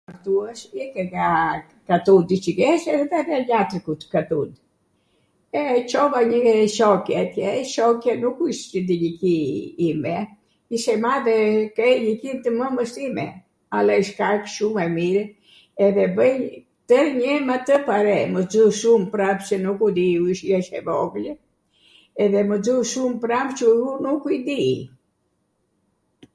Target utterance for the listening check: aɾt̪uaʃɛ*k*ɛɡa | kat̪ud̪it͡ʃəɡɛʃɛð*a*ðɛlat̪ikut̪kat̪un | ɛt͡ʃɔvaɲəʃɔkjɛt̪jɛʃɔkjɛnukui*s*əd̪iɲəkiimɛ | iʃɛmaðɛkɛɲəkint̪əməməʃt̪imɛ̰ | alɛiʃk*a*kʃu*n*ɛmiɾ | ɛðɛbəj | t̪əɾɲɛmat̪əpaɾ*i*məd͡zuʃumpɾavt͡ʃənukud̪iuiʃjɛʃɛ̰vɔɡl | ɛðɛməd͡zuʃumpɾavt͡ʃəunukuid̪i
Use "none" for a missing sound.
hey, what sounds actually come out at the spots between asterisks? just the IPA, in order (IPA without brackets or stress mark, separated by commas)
k, ɛ, ʃ, a, m, ɛ